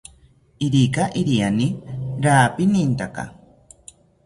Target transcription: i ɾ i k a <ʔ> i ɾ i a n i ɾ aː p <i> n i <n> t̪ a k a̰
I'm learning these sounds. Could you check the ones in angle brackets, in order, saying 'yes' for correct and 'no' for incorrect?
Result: yes, yes, yes

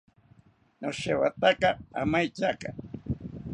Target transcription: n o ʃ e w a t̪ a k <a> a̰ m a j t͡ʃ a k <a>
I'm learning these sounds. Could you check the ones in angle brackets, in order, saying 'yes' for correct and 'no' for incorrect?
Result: yes, yes

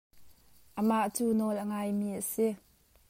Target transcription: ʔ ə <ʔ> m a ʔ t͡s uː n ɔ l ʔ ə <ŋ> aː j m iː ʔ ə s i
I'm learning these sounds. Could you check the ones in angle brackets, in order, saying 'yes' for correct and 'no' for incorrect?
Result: no, yes

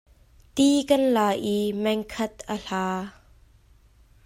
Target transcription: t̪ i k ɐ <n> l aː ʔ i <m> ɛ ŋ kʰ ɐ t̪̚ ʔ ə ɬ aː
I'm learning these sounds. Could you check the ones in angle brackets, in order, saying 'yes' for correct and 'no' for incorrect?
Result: yes, yes

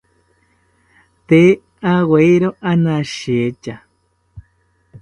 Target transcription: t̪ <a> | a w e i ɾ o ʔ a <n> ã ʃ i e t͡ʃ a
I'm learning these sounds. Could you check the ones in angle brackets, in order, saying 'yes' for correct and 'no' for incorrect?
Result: no, yes

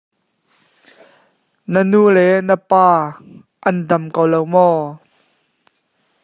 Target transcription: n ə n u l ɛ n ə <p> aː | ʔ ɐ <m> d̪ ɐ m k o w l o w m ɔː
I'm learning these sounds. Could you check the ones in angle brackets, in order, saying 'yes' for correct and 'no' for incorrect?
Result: yes, no

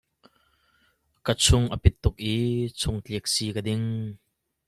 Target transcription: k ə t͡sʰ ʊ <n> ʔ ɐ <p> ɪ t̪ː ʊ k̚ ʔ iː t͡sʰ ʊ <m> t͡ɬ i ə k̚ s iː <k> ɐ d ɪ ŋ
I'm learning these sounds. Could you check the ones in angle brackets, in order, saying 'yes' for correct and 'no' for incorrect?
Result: no, yes, no, yes

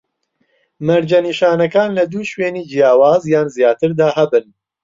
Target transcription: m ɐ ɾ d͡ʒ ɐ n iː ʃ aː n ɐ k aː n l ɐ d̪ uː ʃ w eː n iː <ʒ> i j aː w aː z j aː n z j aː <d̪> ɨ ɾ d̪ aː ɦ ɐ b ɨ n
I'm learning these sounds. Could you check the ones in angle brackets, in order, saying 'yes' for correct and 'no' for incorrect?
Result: no, no

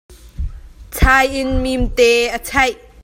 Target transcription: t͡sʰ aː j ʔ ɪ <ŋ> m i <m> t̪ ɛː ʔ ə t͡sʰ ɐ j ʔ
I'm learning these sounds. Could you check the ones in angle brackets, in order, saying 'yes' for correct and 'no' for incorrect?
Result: no, yes

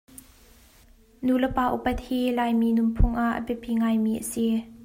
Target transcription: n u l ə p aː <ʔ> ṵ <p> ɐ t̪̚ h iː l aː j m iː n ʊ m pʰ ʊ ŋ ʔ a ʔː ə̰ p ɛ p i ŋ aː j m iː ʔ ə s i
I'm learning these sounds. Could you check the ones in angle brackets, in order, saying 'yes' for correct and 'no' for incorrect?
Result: yes, yes

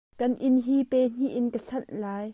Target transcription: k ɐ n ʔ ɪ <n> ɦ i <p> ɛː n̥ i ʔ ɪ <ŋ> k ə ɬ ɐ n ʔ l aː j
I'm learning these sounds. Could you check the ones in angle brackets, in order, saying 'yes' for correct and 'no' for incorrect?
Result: yes, yes, no

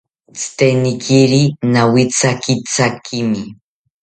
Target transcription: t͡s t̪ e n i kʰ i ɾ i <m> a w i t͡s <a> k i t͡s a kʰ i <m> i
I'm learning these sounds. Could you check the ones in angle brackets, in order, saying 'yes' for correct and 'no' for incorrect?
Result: no, yes, yes

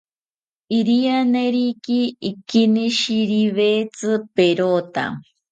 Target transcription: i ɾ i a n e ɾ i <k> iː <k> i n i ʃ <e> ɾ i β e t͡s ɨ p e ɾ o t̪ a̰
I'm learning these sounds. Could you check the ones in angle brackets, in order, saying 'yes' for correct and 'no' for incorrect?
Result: yes, yes, no

